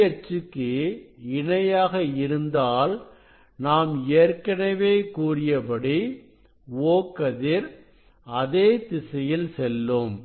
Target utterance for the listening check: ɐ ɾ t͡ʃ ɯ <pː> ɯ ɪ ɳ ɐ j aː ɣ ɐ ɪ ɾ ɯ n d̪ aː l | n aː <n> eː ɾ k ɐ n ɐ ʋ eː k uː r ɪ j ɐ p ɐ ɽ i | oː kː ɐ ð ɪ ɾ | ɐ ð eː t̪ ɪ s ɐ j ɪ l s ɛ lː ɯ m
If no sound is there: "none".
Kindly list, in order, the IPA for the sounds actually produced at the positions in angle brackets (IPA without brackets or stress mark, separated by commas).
kː, m